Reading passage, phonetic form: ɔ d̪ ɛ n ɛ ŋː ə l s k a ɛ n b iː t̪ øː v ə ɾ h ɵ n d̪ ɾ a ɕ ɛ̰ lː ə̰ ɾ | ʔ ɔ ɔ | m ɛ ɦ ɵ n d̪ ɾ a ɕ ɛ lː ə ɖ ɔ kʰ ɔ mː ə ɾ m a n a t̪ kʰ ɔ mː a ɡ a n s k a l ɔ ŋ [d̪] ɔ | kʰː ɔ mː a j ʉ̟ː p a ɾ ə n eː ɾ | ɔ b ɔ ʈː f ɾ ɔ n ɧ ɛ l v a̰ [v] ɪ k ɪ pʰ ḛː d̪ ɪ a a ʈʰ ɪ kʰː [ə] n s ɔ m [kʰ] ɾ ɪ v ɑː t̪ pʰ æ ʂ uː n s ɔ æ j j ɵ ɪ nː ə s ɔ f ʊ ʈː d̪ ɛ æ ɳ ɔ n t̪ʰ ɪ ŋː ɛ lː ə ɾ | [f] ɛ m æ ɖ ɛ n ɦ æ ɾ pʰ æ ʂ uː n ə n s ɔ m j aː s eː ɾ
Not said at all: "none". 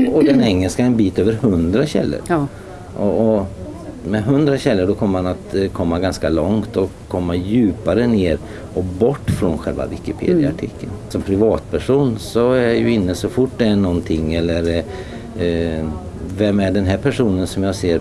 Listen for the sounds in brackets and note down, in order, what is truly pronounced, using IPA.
t̪, v, ə, pʰ, v

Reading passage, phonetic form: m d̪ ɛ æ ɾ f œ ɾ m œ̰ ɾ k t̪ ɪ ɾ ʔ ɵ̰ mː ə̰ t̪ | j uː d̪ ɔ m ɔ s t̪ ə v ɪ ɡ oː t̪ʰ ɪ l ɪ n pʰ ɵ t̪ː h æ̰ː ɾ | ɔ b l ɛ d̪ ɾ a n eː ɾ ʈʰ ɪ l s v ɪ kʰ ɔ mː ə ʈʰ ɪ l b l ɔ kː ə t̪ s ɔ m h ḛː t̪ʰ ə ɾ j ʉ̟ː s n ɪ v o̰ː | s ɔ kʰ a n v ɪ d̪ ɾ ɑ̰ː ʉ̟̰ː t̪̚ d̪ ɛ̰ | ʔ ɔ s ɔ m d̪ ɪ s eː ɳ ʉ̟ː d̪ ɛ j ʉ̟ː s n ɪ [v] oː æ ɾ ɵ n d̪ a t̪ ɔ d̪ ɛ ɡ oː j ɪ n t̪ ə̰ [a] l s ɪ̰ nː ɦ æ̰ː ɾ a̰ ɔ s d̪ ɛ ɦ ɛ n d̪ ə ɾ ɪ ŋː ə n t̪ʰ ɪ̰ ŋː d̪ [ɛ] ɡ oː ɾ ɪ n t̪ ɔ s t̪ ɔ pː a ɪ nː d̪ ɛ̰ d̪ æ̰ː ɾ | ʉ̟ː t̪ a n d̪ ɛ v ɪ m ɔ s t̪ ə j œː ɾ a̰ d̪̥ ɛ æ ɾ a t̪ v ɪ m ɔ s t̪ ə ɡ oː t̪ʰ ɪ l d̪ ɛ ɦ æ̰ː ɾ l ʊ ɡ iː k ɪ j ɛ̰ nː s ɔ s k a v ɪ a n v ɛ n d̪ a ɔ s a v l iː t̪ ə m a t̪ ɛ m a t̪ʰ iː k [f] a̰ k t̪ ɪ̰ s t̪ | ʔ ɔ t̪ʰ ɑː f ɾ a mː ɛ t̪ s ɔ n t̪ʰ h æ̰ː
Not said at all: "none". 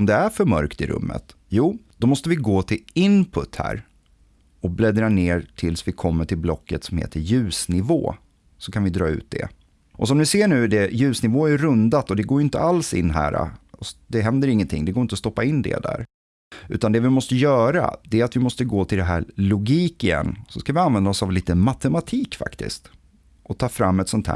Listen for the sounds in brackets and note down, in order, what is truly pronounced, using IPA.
v, a, ɛ, f

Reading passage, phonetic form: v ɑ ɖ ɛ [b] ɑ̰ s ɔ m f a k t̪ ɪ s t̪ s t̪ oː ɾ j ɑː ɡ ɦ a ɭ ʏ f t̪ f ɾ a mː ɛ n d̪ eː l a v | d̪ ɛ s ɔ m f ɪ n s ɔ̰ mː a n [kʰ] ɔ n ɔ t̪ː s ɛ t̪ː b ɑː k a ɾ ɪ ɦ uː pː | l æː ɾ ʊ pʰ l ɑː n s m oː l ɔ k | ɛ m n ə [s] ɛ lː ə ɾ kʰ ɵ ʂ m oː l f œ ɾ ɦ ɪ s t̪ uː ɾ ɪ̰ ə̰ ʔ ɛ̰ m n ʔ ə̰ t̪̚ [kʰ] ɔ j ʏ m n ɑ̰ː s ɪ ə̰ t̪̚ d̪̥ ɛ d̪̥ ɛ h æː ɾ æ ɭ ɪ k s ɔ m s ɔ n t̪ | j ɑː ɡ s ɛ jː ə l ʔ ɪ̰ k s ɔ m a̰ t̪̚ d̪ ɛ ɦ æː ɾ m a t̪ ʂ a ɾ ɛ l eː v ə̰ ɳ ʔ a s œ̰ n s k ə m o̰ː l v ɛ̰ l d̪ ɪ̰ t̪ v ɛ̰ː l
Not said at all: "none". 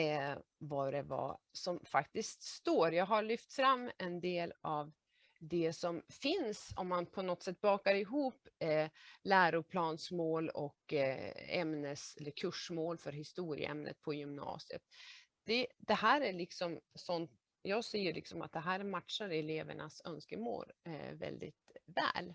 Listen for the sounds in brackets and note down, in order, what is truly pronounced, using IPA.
v, pʰ, s, pʰ

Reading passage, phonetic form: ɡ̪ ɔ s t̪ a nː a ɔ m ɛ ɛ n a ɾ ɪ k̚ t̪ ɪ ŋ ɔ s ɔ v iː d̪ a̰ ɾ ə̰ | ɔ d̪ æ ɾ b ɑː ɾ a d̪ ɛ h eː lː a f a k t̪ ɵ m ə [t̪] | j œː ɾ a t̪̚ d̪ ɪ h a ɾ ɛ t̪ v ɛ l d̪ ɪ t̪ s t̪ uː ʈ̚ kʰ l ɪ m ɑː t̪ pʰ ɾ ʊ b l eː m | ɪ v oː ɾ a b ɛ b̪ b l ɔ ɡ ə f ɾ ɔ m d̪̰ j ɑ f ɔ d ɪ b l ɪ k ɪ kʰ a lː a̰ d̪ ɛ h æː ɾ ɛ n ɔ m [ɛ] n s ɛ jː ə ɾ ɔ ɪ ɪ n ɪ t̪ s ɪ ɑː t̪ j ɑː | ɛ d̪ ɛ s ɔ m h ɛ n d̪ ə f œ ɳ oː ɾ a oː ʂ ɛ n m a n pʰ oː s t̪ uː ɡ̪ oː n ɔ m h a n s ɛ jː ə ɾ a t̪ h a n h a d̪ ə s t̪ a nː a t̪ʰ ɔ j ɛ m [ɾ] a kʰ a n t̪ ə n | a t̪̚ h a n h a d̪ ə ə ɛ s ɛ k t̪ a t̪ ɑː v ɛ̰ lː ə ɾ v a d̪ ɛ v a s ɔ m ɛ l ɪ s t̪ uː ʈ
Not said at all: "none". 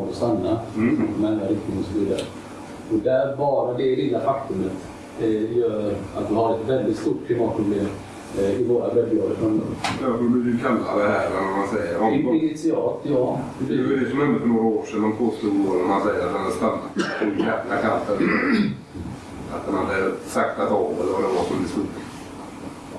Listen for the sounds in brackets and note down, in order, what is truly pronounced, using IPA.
t̪, a, l

